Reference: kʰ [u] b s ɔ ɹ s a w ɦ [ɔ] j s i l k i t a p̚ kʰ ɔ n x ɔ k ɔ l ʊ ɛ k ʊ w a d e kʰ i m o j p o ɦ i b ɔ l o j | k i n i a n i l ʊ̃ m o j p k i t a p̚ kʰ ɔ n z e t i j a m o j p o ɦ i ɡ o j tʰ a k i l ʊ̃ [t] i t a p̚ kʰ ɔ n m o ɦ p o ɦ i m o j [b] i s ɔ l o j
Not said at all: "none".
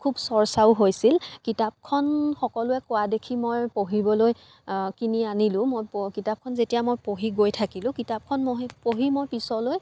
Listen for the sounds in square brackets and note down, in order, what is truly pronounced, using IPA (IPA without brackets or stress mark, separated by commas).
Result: u, o, k, p